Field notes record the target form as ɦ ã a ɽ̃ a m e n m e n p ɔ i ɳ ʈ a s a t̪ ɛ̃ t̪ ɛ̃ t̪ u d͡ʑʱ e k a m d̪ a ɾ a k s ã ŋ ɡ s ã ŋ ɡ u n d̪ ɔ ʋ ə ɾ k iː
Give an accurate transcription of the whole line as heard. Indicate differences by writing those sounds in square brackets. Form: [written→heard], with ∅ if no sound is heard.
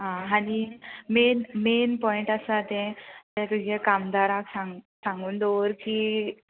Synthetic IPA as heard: ɦ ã a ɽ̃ [a→i] m e n m e n p ɔ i ɳ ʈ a s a t̪ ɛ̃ t̪ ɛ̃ t̪ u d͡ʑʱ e k a m d̪ a ɾ a k s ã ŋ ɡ s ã ŋ ɡ [u→uː] n d̪ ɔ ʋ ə ɾ k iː